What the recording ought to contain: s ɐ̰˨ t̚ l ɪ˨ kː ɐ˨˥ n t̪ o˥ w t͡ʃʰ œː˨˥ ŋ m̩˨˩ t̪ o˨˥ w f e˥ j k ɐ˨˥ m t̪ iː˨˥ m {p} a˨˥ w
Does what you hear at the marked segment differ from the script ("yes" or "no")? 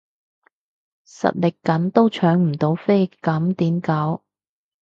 yes